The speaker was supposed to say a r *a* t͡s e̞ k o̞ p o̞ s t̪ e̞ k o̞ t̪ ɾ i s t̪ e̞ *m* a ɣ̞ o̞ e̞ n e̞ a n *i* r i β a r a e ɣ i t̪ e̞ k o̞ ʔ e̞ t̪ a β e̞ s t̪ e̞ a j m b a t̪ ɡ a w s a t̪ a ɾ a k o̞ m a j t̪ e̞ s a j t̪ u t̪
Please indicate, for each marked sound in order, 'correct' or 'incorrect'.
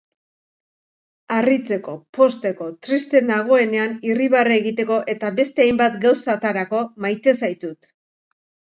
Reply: incorrect: i, incorrect: n, correct

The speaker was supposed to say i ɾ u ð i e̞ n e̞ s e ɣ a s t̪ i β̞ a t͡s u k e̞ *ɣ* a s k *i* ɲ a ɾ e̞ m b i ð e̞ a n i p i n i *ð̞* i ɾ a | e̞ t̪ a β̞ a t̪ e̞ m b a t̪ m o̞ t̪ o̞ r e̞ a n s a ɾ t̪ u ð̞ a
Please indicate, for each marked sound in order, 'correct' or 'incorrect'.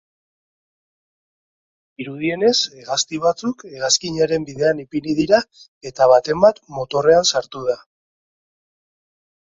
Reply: correct, correct, correct

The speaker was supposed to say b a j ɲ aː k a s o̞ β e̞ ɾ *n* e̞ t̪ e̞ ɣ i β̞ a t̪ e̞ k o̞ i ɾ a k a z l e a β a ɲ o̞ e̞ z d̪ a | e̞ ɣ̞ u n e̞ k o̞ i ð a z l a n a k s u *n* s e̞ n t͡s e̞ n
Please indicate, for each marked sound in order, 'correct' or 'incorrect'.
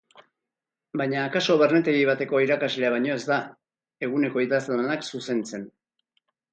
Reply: correct, incorrect: none

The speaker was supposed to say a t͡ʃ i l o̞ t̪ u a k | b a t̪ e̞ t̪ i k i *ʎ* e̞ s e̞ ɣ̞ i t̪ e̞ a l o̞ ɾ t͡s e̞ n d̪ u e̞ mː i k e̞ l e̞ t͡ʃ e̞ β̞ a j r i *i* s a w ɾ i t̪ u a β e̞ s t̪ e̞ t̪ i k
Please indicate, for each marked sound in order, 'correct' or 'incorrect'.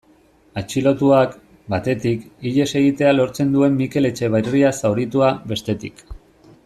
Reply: correct, incorrect: a

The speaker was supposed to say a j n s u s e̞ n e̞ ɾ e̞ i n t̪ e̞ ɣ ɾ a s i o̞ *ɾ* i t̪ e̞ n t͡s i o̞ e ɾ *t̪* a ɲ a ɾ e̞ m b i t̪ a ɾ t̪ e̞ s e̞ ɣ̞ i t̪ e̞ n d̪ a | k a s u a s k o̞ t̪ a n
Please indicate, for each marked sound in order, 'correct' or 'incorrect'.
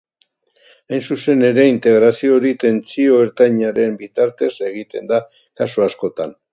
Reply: correct, correct

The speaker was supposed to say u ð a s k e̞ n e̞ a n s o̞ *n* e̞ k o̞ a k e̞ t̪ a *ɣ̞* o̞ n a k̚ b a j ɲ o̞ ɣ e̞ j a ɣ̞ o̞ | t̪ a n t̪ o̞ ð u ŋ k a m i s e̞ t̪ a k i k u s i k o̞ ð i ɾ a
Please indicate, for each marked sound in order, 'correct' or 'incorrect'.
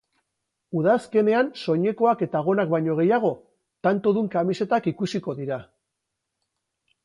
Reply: incorrect: ɲ, correct

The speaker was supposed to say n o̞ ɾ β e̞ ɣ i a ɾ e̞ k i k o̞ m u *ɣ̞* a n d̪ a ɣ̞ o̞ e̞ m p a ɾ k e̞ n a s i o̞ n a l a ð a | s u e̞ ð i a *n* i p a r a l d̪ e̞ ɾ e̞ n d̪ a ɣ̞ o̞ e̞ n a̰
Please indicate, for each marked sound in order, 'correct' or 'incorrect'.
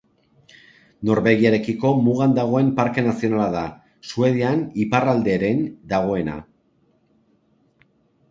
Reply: correct, correct

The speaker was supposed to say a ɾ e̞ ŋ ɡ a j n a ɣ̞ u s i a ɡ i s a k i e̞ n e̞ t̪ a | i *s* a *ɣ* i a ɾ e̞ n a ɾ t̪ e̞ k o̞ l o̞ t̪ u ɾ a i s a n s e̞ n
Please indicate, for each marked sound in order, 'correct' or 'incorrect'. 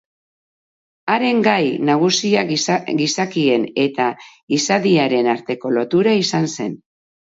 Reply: correct, incorrect: ð

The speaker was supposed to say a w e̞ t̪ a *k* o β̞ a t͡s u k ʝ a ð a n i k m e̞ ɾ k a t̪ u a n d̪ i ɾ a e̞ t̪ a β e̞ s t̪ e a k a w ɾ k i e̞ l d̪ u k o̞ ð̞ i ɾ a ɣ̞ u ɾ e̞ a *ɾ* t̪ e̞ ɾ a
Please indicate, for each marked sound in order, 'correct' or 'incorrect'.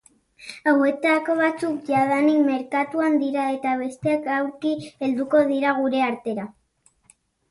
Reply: correct, correct

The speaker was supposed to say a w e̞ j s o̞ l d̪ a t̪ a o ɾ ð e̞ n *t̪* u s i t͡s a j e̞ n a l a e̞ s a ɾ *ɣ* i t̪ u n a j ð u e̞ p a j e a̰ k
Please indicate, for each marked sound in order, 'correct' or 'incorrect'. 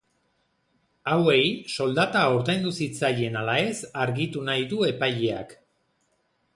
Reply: incorrect: d̪, correct

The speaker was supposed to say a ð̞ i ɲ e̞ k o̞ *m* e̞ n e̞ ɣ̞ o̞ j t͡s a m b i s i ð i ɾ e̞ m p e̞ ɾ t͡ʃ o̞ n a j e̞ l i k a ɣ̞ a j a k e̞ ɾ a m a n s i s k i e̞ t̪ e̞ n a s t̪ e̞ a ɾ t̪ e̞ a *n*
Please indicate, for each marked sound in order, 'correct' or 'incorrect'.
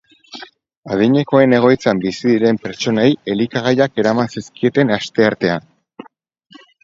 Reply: incorrect: none, correct

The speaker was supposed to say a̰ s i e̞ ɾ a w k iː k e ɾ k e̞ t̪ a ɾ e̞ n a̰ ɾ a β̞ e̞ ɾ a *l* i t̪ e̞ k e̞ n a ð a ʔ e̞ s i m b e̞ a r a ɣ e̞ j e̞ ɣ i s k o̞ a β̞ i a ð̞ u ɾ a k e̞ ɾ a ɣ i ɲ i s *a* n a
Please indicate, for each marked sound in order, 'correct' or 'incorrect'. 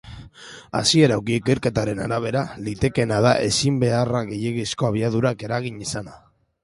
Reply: correct, correct

